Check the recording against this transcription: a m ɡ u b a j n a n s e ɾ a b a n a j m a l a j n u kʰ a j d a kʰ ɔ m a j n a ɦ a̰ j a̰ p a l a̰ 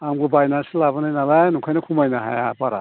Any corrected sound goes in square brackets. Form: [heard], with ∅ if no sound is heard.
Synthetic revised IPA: a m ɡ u b a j n a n s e [l] a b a n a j [n] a l a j n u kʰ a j [n] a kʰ [u] m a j n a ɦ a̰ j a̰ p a [ɾ] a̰